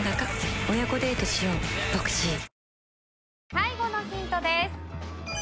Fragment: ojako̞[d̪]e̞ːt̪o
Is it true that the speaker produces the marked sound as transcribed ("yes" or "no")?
yes